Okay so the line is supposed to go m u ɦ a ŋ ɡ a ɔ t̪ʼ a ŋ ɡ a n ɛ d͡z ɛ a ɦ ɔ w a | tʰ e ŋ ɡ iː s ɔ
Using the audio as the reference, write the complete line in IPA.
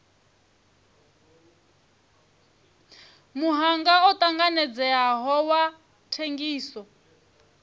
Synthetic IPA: m u ɦ a ŋ ɡ a ɔ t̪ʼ a ŋ ɡ a n ɛ d͡z ɛ a ɦ ɔ w a | tʰ e ŋ ɡ iː s ɔ

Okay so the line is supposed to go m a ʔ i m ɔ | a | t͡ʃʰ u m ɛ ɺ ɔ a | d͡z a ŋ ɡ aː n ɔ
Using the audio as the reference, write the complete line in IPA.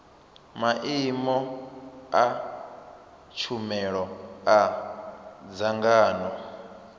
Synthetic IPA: m a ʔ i m ɔ | a | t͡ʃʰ u m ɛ ɺ ɔ a | d͡z a ŋ ɡ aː n ɔ

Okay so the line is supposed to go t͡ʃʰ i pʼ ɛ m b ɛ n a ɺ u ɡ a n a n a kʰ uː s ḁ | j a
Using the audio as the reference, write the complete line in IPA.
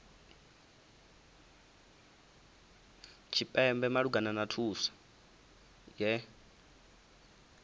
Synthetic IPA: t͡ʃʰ i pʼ ɛ m b ɛ m a ɺ u ɡ a n a n a tʰ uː s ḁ | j ɛ

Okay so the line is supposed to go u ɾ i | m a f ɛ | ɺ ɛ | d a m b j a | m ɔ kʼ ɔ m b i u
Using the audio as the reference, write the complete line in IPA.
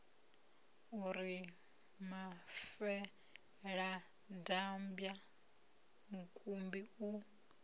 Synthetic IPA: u ɾ i | m a f ɛ | ɺ a | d a m b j a | m u kʼ u m b i u

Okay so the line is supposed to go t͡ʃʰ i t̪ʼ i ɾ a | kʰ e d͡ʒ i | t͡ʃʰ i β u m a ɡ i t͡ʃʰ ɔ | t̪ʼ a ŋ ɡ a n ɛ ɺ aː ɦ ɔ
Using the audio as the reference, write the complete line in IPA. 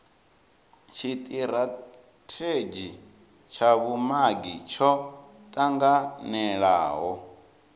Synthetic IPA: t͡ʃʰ i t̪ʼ i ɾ a | tʰ e d͡ʒ i | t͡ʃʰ a β u m a ɡ i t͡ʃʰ ɔ | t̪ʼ a ŋ ɡ a n ɛ ɺ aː ɦ ɔ

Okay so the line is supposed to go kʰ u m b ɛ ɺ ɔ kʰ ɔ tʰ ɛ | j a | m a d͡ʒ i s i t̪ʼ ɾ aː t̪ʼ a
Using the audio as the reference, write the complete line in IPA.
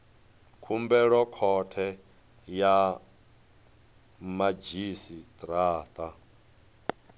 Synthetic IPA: kʰ u m b ɛ ɺ ɔ kʰ ɔ tʰ ɛ | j a | m a d͡ʒ i s i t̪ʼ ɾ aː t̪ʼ a

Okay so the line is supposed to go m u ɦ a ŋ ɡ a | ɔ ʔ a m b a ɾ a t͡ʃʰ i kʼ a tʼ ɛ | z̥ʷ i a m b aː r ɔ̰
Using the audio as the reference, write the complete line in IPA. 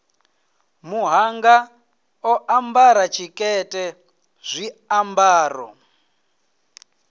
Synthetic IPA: m u ɦ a ŋ ɡ a | ɔ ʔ a m b a ɾ a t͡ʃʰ i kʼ ɛ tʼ ɛ | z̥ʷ i a m b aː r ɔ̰

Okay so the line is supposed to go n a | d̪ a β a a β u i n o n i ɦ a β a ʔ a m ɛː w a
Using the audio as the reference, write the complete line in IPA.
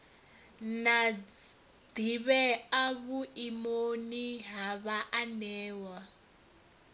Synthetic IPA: n a | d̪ i β ɛ a β u i m o n i ɦ a β a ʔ a n ɛː w a

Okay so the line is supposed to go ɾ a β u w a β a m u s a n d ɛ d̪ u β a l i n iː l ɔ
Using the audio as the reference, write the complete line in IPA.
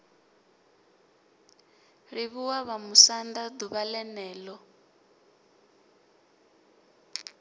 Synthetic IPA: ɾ i β u w a β a m u s a n d a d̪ u β a l ɛ n ɛː l ɔ

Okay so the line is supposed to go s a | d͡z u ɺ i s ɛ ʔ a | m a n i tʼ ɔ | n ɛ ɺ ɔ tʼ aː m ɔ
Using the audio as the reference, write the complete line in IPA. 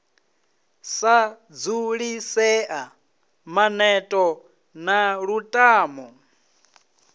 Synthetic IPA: s a | d͡z u ɺ i s ɛ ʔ a | m a n ɛ tʼ ɔ | n a ɺ u tʼ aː m ɔ

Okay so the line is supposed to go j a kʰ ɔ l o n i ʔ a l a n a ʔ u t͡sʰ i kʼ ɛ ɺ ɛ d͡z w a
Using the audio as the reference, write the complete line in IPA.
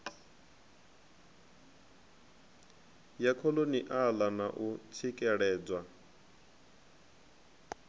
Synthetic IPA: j a kʰ ɔ l o n i ʔ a l a n a ʔ u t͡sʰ i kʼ ɛ ɺ ɛː d͡z w a

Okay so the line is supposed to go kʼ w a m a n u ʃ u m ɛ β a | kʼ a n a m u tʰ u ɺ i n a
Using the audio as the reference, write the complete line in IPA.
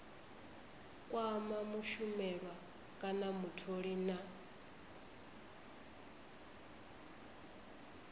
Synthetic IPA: kʼ w a m a m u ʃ u m ɛ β a | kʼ a n a m u tʰ o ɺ i n a

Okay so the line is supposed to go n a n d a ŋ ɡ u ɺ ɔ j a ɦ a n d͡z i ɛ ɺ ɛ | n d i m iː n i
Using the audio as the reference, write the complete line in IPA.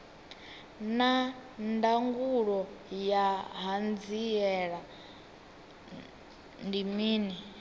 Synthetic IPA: n a n d a ŋ ɡ u ɺ ɔ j a ɦ a n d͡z i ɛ ɺ a | n d i m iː n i

